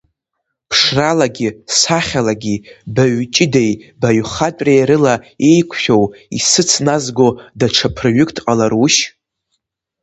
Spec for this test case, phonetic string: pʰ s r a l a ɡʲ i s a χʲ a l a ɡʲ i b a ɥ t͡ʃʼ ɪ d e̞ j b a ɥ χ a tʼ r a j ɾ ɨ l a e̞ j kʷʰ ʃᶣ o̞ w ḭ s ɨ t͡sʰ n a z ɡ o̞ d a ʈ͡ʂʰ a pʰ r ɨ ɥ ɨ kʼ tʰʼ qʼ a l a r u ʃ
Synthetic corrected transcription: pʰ ʂ r a l a ɡʲ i s a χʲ a l a ɡʲ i b a ɥ t͡ʃʼ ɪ d e̞ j b a ɥ χ a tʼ r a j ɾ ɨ l a e̞ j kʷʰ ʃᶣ o̞ w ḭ s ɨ t͡sʰ n a z ɡ o̞ d a ʈ͡ʂʰ a pʰ r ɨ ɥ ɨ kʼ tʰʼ qʼ a l a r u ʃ